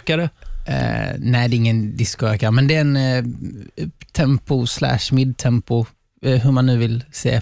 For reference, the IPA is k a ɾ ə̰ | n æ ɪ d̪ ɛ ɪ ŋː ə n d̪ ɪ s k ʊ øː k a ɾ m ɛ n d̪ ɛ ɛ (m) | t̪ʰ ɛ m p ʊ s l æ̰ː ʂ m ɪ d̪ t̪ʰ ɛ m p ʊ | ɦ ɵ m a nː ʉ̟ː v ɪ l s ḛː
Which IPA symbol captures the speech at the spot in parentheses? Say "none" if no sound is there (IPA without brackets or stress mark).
n